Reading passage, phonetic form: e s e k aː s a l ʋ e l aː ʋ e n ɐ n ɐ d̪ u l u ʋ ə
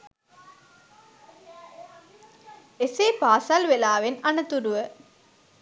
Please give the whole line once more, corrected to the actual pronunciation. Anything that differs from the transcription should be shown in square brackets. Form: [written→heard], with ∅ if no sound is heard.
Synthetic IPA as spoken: e s e [k→p] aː s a l ʋ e l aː ʋ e n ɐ n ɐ [d̪→t̪] u [l→ɾ] u ʋ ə